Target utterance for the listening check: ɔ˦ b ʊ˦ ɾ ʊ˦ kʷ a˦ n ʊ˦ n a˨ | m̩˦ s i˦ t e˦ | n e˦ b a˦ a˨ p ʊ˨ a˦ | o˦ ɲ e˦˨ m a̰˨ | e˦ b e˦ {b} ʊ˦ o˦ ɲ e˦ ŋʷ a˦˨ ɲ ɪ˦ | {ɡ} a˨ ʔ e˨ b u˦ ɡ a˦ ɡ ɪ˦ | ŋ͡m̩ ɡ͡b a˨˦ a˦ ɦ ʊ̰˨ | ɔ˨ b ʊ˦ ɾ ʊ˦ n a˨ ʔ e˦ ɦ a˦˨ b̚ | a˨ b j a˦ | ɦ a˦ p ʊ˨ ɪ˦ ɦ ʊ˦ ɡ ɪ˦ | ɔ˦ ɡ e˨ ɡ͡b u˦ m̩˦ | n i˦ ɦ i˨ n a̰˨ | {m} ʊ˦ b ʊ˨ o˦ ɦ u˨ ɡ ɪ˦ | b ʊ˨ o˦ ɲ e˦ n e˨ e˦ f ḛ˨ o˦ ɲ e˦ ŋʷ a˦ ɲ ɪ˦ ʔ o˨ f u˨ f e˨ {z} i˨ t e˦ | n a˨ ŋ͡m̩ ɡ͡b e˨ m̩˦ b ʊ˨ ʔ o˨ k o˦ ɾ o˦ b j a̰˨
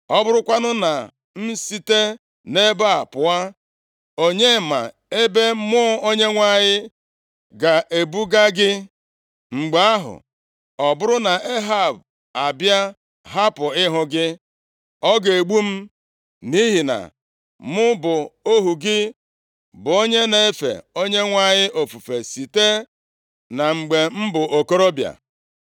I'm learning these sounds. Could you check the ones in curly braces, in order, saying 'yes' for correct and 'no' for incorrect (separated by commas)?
no, yes, yes, no